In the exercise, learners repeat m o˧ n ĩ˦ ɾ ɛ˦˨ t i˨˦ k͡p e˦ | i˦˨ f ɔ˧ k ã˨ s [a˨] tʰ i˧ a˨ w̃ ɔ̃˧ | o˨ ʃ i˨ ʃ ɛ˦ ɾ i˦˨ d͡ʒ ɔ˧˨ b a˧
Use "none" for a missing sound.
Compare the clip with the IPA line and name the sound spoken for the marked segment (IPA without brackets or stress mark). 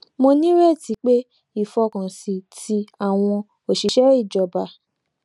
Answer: i˨